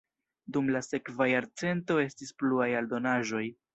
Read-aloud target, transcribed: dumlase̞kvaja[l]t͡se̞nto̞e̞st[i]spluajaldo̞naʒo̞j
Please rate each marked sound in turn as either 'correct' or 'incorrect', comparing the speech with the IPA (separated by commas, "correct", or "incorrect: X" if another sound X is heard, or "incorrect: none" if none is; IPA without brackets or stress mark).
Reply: incorrect: ɾ, correct